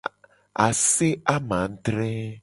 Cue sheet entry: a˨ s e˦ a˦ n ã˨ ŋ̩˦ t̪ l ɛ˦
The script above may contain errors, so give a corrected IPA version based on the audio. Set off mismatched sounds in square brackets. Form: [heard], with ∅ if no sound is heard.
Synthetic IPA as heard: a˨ s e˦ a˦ [m] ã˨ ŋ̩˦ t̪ [ɾ] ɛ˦